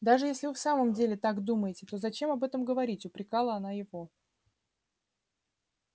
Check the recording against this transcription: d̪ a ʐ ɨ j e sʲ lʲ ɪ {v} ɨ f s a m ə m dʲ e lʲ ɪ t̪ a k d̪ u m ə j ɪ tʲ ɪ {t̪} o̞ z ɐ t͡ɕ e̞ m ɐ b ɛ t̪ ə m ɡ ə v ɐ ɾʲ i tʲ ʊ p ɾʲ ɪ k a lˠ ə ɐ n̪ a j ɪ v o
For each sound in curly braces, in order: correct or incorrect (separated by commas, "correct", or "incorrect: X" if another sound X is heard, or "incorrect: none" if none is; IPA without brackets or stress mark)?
correct, correct